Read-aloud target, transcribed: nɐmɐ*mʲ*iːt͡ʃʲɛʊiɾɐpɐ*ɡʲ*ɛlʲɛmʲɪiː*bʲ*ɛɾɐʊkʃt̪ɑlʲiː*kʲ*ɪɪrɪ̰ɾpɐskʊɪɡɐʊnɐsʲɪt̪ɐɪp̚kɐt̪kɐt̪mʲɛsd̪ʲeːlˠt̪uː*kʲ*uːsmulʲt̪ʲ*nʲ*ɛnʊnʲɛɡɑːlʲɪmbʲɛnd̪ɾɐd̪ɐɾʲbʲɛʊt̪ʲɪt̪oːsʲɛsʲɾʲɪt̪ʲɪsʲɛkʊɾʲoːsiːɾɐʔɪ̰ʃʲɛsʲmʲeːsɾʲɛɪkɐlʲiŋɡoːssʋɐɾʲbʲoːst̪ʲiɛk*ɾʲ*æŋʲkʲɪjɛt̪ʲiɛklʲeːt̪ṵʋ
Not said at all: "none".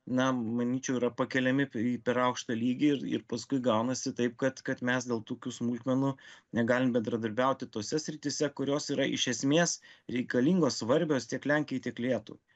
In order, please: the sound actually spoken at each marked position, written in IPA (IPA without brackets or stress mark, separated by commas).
nʲ, kʲ, pʲ, ɡʲ, kʲ, mʲ, lʲ